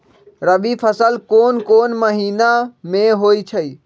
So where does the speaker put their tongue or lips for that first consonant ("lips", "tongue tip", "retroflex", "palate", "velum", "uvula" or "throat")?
tongue tip